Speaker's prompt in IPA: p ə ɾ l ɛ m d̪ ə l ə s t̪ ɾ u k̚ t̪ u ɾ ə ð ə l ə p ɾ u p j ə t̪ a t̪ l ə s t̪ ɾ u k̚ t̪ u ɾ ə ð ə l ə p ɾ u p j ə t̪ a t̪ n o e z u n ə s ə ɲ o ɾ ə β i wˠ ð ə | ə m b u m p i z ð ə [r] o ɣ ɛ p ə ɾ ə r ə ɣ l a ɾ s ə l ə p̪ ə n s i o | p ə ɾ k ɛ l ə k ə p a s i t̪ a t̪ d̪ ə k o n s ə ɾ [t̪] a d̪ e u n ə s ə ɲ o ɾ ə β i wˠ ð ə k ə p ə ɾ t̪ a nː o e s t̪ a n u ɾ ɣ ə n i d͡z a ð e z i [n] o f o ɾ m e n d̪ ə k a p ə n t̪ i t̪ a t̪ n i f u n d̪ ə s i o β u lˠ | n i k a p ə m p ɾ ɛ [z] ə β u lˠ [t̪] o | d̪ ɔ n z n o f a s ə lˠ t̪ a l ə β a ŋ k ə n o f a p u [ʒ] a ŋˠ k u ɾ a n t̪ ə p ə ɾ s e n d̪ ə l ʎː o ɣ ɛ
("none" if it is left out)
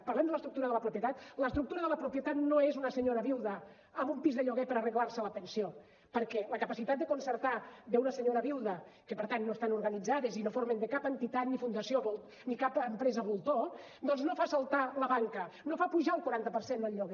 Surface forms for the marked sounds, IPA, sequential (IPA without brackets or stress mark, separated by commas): ʎ, t̪, n, z, t̪, ʒ